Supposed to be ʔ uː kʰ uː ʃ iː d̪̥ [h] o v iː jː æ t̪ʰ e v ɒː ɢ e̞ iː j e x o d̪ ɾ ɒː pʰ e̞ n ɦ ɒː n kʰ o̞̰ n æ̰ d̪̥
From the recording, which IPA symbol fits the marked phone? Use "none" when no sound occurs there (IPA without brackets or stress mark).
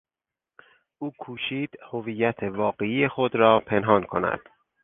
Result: h